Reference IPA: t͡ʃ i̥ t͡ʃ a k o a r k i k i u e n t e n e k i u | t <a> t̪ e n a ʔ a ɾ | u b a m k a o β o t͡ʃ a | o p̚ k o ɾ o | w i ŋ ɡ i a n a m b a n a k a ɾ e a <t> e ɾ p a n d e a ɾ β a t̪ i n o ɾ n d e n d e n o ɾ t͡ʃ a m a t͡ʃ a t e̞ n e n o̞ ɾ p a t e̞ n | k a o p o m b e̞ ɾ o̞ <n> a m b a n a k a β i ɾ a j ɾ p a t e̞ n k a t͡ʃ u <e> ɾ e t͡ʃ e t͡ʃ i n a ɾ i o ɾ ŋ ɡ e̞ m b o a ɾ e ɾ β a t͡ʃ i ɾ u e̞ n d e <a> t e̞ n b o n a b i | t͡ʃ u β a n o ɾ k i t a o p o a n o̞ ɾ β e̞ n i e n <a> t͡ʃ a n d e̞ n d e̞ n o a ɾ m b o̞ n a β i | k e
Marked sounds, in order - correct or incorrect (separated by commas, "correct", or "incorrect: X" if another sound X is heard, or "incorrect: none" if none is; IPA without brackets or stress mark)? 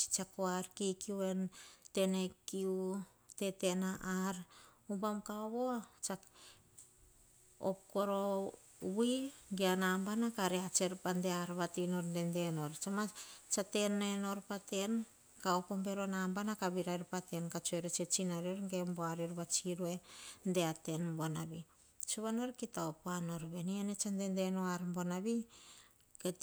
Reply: incorrect: e, incorrect: t͡ʃ, correct, correct, correct, incorrect: e